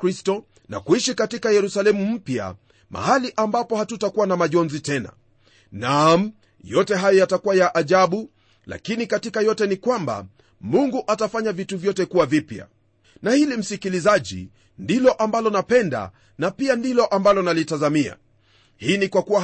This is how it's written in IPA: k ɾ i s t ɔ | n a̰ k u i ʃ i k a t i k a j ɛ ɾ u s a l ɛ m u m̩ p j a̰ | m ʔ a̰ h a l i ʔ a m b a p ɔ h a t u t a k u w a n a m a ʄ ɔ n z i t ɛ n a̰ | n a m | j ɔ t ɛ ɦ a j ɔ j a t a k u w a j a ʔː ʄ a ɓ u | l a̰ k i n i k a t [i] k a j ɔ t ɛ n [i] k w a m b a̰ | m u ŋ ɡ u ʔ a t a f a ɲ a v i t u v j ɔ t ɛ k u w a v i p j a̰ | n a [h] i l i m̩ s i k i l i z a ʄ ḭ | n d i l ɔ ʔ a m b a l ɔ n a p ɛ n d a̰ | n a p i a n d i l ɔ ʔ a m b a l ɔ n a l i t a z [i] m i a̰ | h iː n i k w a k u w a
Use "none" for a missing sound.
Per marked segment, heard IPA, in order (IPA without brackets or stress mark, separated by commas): i, i, h, a